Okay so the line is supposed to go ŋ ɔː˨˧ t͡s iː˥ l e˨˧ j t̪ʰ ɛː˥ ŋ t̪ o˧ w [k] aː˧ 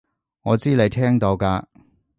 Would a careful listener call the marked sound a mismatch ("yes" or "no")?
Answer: no